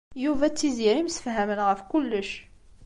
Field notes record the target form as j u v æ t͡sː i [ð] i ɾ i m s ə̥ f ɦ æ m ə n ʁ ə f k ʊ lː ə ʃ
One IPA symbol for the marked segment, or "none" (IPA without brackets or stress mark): z